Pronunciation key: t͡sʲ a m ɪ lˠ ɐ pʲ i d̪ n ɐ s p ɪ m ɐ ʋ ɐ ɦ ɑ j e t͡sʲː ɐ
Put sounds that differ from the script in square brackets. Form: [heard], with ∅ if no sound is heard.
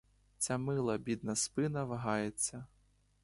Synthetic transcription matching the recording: t͡sʲ a m ɪ lˠ ɐ [bʲ] i d̪ n ɐ s p ɪ [n] ɐ ʋ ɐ ɦ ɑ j e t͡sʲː ɐ